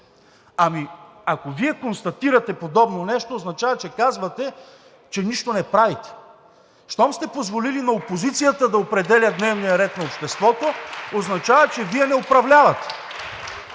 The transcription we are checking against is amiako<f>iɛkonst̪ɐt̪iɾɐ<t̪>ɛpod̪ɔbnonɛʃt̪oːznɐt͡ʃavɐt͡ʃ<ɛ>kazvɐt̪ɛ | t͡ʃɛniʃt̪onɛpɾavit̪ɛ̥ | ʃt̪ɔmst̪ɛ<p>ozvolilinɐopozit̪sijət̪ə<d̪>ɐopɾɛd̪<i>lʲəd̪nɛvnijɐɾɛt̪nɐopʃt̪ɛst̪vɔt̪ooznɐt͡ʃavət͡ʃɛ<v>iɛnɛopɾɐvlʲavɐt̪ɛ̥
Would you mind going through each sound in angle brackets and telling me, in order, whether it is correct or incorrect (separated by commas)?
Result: incorrect, correct, correct, correct, correct, incorrect, correct